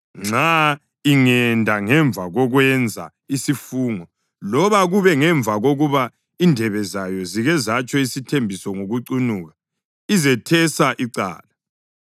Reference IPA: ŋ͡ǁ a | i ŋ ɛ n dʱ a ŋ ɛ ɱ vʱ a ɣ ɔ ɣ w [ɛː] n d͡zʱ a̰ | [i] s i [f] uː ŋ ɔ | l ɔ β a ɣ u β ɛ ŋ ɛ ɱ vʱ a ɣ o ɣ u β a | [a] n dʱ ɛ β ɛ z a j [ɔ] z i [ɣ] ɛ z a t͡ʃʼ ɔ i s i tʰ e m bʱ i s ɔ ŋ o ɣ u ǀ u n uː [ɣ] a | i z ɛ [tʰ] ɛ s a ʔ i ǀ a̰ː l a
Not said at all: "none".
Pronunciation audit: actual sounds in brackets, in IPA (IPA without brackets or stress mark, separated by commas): ɛ, i, f, i, ɔ, ɣ, ɣ, tʰ